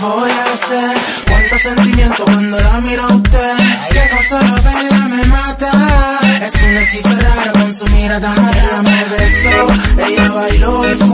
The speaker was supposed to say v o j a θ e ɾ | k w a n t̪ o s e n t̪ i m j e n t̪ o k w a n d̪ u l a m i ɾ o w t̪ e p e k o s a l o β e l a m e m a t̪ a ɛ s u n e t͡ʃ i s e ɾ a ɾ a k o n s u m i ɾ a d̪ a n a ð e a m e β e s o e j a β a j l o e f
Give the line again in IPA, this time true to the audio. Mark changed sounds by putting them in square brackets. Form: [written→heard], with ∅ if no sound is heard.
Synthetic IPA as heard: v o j a [θ→s] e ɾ | k w a n t̪ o s e n t̪ i m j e n t̪ o k w a n d̪ [u→o] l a m i ɾ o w t̪ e [p→k] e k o s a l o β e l a m e m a t̪ a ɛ s u n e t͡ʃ i s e ɾ a ɾ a k o n s u m i ɾ a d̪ a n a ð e a m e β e s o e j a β a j l o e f